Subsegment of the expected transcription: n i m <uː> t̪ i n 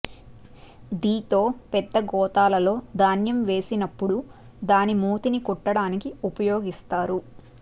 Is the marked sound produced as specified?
yes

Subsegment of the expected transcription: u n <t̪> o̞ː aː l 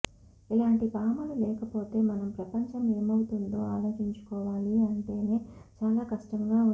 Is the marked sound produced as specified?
no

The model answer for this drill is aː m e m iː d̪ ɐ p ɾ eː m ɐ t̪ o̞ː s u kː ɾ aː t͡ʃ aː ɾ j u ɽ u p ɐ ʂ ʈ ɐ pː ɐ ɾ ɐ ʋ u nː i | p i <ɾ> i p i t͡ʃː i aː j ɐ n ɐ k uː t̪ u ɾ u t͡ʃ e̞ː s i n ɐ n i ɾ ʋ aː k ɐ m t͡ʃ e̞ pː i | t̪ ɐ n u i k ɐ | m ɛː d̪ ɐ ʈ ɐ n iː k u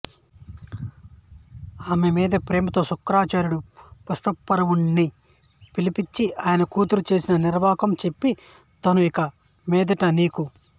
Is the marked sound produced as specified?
no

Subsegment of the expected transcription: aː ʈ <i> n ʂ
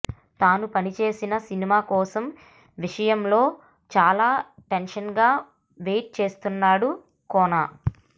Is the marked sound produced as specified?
no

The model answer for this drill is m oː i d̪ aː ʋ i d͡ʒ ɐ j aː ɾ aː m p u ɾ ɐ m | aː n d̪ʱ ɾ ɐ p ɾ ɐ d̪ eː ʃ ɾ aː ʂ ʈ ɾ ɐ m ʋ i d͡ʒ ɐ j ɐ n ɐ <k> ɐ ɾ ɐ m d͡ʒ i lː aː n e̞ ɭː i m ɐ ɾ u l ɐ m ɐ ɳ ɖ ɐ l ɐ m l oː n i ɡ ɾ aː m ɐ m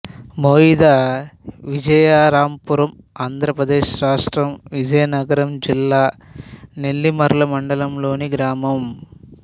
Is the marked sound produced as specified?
no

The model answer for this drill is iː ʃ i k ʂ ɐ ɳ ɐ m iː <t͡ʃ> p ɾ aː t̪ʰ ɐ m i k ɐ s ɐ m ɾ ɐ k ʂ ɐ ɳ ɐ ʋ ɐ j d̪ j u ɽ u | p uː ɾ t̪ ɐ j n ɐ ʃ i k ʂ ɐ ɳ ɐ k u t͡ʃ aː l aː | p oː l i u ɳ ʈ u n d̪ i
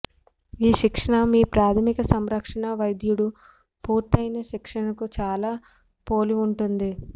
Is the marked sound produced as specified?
no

